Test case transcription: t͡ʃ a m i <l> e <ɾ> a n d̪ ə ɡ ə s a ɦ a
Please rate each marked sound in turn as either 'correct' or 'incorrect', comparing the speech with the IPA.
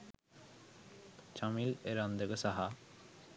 correct, correct

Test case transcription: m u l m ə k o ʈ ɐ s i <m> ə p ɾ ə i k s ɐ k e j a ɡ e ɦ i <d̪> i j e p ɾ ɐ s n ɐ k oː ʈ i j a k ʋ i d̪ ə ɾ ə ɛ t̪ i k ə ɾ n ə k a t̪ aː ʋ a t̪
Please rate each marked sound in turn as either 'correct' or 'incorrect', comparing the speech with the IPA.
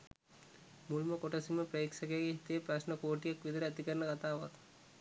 correct, incorrect: t̪

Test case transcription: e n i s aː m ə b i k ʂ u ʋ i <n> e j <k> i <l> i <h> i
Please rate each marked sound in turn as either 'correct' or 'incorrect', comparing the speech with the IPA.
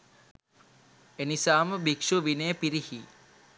correct, incorrect: p, incorrect: ɾ, correct

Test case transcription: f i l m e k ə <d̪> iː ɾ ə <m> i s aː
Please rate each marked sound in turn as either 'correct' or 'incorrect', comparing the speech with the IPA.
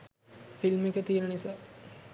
incorrect: t̪, incorrect: n

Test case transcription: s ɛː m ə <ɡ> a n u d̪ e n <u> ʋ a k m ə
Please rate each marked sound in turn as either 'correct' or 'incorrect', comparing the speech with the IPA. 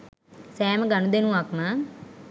correct, correct

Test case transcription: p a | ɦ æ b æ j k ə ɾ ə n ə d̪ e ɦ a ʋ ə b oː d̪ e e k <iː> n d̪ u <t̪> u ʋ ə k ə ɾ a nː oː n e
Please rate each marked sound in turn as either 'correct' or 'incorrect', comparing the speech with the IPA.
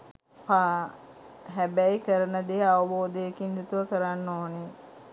incorrect: i, correct

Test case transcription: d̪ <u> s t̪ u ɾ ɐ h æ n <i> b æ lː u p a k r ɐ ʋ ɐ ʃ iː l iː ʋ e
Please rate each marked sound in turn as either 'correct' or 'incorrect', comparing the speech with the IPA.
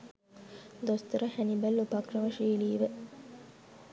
incorrect: o, correct

